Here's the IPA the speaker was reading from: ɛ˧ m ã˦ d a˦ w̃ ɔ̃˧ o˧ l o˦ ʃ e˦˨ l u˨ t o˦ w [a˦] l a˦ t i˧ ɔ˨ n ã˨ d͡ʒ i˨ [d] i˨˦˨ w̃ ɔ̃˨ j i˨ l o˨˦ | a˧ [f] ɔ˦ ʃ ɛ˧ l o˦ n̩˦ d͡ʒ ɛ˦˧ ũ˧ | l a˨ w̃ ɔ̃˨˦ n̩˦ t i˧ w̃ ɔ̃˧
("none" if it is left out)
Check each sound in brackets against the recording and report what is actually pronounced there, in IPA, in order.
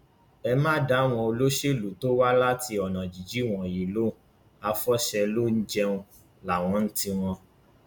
a˦, d͡ʒ, f

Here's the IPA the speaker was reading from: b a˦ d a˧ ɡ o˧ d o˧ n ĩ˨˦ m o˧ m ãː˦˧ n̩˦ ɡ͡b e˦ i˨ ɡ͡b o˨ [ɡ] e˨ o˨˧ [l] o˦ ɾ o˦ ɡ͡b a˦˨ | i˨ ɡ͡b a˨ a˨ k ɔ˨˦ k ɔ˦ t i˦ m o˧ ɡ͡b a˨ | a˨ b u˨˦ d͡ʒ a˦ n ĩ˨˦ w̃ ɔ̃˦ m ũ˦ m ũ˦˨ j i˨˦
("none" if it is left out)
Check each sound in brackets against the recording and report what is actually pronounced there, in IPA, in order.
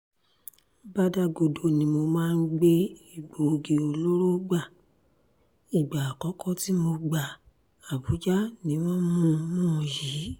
ɡ, l

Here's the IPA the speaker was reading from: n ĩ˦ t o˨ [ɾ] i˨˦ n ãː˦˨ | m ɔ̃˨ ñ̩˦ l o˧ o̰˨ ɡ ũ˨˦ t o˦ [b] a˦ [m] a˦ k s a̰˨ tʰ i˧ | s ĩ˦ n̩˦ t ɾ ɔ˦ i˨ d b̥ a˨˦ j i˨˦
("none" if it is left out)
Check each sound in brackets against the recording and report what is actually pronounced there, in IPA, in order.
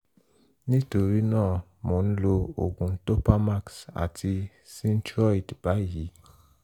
ɾ, p, m

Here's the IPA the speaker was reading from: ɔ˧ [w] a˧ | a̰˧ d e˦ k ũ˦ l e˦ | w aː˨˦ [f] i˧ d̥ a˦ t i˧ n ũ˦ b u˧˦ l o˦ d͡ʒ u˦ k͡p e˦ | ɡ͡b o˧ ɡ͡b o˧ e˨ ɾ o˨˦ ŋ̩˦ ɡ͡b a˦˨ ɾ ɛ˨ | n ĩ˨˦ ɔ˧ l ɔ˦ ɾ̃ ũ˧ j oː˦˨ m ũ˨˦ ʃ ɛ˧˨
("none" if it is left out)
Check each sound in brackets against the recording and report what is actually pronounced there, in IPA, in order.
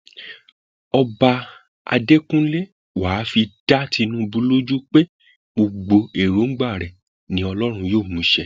b, f

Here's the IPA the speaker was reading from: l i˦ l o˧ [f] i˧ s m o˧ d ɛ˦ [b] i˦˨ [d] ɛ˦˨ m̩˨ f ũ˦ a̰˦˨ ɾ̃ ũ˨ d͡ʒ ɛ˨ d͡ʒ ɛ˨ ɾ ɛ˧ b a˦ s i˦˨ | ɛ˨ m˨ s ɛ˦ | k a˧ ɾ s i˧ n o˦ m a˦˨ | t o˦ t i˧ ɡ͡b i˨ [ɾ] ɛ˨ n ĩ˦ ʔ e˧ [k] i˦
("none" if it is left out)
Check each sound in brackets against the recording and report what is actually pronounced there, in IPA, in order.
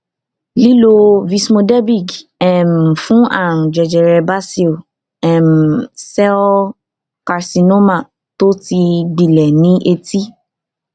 v, b, ɡ, l, t

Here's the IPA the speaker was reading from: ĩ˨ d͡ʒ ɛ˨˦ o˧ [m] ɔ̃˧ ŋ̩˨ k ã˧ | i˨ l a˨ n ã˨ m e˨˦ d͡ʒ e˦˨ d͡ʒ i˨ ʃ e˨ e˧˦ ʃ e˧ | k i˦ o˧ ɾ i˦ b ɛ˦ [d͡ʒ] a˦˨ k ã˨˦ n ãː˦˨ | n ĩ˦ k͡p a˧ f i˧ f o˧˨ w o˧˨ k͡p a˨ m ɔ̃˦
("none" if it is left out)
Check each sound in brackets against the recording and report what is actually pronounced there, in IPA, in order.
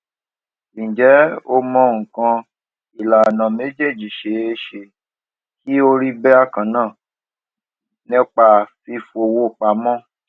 m, none

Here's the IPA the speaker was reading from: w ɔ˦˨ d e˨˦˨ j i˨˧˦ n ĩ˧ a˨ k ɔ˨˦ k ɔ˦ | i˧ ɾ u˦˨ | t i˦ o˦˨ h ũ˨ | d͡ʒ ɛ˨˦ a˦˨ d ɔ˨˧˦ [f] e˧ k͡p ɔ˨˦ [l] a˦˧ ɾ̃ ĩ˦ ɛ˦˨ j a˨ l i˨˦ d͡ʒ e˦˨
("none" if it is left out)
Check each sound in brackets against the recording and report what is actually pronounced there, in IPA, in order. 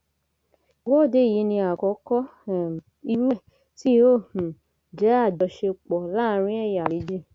ʃ, l

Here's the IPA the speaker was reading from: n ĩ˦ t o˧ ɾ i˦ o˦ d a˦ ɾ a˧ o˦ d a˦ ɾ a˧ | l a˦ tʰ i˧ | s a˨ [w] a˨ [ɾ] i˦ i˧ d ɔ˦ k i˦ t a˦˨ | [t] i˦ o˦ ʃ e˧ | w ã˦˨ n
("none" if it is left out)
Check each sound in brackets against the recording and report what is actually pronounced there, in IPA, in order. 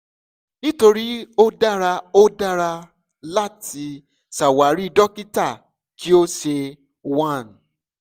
w, ɾ, k

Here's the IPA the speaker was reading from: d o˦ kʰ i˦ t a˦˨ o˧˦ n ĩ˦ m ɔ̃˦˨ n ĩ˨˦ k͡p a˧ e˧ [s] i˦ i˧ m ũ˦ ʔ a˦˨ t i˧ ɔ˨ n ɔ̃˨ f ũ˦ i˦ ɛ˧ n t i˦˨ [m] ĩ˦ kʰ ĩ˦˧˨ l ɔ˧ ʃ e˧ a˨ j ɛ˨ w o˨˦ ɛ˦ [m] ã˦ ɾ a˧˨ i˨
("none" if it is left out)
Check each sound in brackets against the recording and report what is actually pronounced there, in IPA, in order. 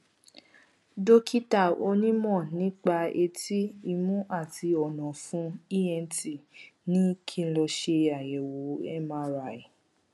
t, n, m

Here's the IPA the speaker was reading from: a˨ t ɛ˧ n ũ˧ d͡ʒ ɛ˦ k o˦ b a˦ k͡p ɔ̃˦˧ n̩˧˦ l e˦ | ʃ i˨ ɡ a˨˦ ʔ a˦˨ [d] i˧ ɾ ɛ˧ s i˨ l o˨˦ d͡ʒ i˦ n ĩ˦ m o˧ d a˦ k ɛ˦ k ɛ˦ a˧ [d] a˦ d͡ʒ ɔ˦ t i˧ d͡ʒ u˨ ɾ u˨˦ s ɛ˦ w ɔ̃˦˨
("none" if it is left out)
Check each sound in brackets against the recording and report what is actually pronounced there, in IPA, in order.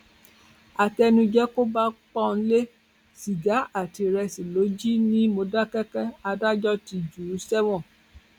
t, d

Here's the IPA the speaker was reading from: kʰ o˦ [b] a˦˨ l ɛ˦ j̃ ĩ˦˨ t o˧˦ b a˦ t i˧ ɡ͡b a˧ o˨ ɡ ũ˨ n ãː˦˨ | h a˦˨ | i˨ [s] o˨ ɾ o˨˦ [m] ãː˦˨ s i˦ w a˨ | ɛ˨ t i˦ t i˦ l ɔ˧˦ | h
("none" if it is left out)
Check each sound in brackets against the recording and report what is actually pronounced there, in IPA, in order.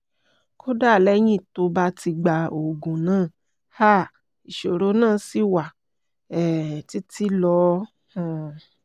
d, ʃ, n

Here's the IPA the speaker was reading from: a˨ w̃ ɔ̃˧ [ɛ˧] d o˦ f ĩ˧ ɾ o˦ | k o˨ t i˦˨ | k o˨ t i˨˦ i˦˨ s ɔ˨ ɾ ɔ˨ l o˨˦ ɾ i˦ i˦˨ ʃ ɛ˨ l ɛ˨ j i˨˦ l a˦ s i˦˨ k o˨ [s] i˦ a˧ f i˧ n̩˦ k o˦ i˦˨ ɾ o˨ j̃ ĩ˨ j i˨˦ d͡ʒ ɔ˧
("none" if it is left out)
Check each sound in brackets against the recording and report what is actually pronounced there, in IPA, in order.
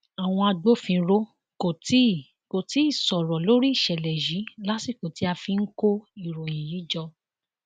a˧, t

